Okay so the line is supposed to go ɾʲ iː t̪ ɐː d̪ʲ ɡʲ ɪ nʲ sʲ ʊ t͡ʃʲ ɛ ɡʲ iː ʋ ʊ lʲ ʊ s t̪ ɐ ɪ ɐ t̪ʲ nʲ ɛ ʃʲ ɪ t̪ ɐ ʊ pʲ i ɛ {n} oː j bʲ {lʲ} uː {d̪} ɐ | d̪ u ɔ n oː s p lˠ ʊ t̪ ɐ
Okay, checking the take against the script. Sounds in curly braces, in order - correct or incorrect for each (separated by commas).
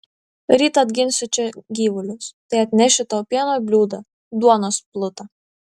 correct, correct, correct